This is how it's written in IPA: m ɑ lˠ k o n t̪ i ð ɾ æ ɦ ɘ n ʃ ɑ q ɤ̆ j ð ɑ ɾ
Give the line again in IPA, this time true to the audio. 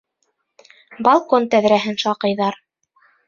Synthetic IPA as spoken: b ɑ lˠ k o n t̪ æ ð ɾ æ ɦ ɘ n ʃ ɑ q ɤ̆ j ð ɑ ɾ